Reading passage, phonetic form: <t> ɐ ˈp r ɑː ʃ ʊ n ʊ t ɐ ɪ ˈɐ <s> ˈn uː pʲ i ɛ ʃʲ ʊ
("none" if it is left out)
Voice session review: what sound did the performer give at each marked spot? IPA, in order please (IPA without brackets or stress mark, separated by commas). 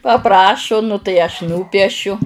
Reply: p, ʃ